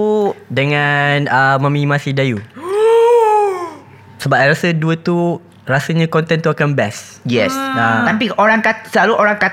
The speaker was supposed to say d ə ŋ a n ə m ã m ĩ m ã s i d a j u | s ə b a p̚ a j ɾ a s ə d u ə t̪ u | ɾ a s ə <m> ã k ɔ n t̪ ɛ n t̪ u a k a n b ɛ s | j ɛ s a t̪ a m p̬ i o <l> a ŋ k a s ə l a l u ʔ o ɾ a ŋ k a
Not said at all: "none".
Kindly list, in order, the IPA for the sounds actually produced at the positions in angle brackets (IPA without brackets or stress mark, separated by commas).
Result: ɲ, ɾ